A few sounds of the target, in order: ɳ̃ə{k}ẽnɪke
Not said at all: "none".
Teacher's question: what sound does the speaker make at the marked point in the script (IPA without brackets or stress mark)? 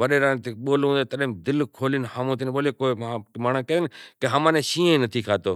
k